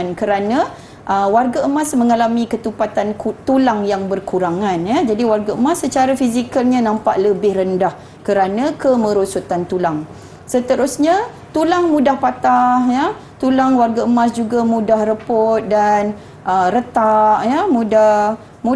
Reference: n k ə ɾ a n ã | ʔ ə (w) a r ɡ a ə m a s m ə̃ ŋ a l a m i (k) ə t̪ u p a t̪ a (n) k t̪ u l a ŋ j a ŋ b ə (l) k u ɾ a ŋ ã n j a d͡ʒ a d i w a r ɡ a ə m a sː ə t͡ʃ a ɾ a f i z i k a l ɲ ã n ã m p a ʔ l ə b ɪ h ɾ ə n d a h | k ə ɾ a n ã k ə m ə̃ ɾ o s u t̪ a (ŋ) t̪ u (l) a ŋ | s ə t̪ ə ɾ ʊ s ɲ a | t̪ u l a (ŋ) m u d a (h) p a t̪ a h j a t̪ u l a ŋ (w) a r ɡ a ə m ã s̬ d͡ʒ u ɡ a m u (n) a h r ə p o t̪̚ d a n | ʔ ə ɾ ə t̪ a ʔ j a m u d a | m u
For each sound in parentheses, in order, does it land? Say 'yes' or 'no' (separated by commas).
yes, yes, yes, no, no, yes, yes, yes, yes, no